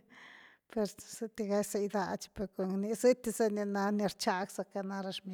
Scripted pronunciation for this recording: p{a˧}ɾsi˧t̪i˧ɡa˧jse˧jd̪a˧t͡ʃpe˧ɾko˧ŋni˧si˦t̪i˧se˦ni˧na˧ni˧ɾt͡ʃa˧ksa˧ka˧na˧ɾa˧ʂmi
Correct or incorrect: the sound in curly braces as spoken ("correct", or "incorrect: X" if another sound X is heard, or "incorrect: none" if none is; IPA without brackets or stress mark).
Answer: incorrect: e˧